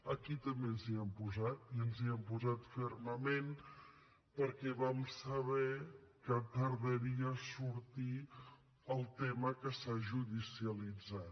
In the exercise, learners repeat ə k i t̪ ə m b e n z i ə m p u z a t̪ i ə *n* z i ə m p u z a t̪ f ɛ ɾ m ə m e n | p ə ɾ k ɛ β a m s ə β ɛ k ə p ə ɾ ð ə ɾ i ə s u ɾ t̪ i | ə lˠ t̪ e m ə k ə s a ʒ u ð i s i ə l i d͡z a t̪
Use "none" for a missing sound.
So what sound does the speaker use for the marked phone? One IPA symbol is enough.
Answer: n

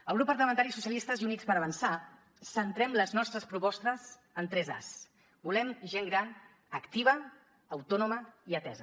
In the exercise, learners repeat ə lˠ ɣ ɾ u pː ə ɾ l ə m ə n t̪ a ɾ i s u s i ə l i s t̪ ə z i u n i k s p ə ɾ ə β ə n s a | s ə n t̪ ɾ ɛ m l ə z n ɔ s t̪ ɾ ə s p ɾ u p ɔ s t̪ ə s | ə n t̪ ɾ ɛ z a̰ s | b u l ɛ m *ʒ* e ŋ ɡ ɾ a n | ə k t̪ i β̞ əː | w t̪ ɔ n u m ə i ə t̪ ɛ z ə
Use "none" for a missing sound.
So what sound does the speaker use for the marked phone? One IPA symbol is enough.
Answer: ʒ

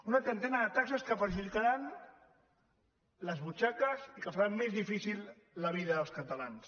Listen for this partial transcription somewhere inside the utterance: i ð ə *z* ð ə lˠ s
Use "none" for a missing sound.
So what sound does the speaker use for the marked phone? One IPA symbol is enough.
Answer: none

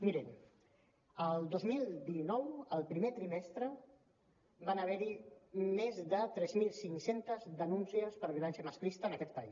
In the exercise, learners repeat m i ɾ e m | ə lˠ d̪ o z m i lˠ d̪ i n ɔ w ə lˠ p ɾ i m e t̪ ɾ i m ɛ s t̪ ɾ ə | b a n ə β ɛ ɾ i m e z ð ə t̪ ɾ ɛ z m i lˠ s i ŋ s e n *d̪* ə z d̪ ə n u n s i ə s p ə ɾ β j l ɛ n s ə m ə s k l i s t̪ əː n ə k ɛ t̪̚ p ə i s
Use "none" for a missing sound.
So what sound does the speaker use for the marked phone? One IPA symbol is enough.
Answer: t̪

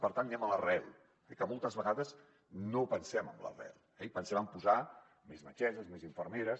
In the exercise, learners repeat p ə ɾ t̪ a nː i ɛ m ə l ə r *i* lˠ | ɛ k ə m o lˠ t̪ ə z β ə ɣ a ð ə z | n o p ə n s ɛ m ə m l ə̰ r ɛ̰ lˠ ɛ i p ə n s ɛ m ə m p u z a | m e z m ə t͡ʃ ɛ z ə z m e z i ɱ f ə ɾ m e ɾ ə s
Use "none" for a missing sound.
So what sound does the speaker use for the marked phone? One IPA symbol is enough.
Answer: ɛ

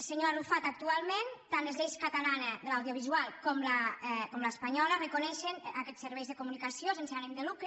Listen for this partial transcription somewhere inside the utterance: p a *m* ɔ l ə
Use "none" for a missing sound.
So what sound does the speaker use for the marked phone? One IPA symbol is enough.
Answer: ɲ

